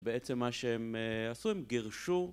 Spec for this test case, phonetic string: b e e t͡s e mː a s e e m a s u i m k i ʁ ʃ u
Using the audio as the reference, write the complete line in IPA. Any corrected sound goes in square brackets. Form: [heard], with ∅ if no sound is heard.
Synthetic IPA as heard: b e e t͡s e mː a [ʃ] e e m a s u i m [ɡ] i ʁ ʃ u